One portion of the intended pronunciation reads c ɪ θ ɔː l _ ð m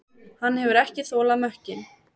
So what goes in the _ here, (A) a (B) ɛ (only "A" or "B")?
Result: A